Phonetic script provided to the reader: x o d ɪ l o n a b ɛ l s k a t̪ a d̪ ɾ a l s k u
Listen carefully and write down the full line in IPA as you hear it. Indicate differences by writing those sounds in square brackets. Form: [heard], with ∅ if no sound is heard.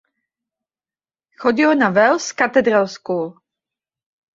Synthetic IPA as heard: x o [ɟ] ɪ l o n a [v] ɛ l s k a t̪ [ɛ] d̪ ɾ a l s k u